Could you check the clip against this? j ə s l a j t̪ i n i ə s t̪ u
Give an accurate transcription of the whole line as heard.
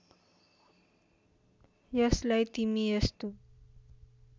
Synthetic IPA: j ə s l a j t̪ i m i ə s t̪ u